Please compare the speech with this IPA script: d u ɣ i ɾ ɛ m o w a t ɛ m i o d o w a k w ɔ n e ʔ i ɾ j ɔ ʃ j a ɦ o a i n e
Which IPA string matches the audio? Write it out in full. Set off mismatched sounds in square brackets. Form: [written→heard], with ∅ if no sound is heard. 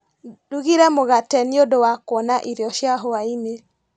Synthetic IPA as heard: d u ɣ i ɾ ɛ m o [w→ɣ] a t ɛ [m→n] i o d o w a k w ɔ n [e→a] ʔ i ɾ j ɔ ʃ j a ɦ o a i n e